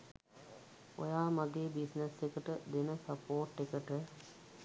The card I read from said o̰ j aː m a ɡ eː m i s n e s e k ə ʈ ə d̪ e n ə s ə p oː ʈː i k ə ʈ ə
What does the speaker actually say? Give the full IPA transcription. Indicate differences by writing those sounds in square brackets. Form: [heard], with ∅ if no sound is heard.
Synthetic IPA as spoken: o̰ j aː m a ɡ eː [b] i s n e s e k ə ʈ ə d̪ e n ə s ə p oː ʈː [e] k ə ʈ ə